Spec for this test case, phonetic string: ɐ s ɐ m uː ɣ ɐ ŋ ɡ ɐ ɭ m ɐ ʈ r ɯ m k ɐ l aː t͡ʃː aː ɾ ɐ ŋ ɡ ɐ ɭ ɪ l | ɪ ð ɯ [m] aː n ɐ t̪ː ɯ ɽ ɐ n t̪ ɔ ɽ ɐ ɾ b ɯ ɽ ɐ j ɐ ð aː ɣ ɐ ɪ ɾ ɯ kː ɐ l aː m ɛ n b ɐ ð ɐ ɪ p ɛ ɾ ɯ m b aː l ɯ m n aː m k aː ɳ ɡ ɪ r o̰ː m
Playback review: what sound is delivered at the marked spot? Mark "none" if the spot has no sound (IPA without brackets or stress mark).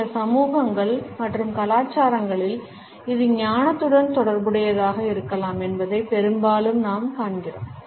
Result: ɲ